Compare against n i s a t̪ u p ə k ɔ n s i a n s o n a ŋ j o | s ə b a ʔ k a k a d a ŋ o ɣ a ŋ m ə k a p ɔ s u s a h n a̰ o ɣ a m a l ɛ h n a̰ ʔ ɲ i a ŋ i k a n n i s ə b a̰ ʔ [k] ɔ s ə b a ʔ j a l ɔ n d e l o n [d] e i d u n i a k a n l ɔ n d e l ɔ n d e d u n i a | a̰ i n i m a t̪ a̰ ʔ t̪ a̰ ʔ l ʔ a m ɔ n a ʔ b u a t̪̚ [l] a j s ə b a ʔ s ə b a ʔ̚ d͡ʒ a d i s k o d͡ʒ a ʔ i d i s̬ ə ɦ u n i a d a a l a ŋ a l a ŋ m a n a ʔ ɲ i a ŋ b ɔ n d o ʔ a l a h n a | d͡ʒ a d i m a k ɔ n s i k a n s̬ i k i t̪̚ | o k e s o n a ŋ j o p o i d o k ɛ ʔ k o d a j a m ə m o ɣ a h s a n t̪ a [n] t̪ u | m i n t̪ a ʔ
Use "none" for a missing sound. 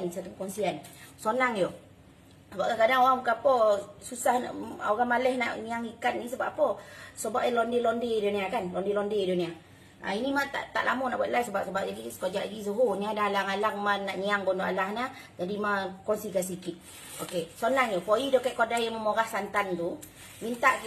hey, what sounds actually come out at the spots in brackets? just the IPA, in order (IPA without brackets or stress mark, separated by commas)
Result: p, d, l, n